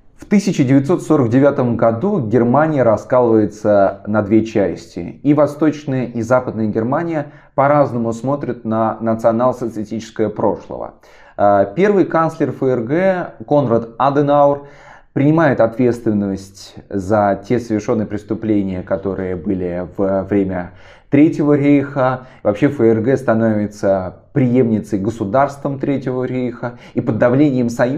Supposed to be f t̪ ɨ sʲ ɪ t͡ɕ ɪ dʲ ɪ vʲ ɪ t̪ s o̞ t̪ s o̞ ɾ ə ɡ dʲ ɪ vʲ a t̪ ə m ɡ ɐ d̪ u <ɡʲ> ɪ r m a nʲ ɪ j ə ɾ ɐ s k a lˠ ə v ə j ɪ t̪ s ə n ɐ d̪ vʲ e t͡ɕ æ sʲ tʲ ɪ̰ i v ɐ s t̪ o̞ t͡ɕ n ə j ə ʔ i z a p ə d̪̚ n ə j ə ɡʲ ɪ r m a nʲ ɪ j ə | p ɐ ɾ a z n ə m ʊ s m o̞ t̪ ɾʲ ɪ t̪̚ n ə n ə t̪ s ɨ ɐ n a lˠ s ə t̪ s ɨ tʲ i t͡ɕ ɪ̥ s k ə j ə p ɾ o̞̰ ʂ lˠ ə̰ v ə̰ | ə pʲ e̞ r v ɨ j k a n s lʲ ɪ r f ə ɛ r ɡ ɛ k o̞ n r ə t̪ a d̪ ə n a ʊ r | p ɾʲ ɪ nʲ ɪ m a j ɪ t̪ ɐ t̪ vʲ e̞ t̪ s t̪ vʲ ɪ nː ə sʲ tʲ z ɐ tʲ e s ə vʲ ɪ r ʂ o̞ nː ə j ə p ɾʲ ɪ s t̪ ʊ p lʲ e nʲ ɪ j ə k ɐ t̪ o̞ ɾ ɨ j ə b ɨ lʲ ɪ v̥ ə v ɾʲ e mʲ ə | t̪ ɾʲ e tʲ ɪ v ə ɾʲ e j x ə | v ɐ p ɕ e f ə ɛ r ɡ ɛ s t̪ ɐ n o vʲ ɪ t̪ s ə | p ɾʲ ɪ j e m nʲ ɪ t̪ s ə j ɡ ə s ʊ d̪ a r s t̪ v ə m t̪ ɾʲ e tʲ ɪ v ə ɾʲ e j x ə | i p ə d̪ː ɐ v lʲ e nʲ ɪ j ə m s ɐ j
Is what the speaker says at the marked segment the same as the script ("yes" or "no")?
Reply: yes